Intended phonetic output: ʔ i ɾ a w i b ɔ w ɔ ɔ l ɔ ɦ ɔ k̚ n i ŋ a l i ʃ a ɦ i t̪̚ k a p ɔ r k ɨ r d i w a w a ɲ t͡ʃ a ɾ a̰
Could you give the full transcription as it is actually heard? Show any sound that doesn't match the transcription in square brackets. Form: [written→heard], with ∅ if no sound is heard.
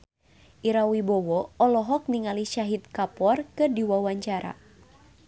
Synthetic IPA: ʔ i ɾ a w i b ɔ w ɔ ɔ l ɔ ɦ ɔ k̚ n i ŋ a l i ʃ a ɦ i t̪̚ k a p ɔ r k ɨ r d i w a w a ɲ t͡ʃ a ɾ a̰